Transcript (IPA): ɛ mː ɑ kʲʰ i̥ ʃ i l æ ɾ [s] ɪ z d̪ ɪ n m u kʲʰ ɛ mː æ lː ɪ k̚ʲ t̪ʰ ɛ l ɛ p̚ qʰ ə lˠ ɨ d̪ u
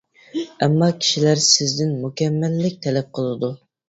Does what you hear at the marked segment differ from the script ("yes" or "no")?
no